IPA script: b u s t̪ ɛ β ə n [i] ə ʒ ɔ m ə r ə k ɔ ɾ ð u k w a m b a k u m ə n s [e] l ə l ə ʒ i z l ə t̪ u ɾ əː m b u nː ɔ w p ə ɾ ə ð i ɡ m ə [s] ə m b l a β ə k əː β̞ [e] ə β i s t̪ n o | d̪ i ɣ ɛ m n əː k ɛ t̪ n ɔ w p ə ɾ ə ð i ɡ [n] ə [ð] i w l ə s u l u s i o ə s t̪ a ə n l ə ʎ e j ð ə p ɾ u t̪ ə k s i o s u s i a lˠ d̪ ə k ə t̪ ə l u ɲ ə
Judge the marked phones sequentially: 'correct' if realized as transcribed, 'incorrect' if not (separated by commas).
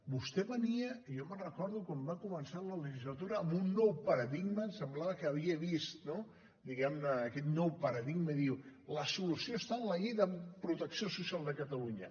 correct, incorrect, correct, incorrect, incorrect, correct